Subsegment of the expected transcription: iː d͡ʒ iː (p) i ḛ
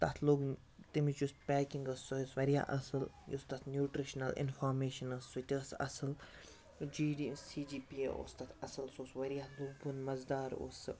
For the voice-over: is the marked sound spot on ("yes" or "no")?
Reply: yes